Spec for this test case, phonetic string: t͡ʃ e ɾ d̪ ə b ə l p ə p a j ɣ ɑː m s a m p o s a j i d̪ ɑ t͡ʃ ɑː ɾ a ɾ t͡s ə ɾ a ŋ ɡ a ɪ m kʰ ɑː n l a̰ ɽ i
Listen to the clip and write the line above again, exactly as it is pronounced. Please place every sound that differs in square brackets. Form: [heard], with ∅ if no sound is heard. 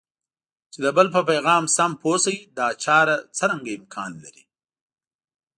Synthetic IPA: t͡ʃ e [∅] d̪ ə b ə l p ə p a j ɣ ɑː m s a m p o s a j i d̪ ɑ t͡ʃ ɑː ɾ a [∅] t͡s ə ɾ a ŋ ɡ a ɪ m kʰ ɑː n l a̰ [ɾ] i